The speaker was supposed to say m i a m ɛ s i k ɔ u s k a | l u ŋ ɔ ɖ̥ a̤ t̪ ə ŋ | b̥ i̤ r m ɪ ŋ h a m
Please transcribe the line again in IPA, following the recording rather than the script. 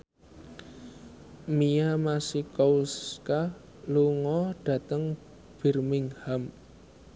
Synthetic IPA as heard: m i a m a s i k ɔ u s k a | l u ŋ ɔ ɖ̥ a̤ t̪ ə ŋ | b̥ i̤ r m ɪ ŋ h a m